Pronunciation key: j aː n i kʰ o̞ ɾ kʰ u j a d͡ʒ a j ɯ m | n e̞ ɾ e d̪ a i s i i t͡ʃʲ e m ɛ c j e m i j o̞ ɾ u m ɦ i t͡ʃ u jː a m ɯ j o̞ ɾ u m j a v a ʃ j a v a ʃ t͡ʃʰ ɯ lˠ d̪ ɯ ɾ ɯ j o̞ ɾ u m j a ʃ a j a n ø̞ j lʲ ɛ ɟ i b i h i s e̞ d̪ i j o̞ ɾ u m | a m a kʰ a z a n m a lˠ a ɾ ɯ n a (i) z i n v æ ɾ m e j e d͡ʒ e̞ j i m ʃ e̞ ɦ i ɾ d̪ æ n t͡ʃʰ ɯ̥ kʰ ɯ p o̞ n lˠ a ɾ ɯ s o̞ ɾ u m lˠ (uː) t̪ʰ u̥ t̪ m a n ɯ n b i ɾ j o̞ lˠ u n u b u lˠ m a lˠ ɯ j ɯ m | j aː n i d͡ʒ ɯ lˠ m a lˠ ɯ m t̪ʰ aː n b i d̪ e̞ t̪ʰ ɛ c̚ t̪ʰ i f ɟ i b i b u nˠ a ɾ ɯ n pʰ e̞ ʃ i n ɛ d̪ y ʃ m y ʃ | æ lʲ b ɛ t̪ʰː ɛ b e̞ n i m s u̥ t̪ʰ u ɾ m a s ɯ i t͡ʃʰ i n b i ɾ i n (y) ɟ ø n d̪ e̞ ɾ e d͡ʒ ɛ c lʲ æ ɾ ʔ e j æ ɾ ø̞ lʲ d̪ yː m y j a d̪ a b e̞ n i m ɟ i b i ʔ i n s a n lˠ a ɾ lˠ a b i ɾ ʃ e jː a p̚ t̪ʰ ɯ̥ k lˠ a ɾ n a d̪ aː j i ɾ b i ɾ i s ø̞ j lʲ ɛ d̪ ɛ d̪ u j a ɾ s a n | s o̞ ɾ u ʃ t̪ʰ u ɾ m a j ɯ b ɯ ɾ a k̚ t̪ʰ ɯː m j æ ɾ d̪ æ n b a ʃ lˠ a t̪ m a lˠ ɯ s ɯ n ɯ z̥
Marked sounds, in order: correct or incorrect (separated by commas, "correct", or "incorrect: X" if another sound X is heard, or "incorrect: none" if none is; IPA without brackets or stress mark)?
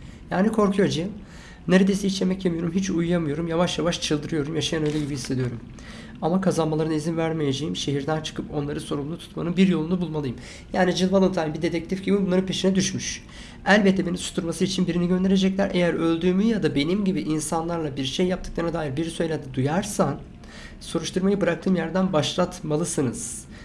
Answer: correct, incorrect: u, incorrect: i